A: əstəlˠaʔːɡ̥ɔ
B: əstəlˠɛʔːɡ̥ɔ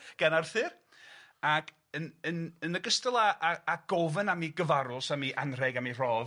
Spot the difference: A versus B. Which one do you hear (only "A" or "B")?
A